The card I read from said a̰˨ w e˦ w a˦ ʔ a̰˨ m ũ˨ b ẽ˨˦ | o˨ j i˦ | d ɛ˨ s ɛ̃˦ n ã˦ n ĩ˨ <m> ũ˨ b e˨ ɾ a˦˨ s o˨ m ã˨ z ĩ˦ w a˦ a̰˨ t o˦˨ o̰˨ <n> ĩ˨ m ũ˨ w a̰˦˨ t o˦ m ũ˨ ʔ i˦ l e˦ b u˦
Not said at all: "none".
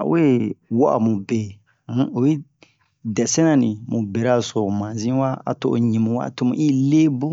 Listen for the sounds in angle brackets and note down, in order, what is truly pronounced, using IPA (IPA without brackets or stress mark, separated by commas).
m, ɲ